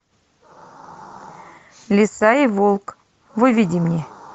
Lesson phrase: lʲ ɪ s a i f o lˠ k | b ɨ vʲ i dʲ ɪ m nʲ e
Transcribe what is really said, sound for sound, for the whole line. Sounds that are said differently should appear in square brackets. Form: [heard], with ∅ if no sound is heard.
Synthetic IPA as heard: lʲ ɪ s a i [v] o lˠ k | [v] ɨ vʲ i dʲ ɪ m nʲ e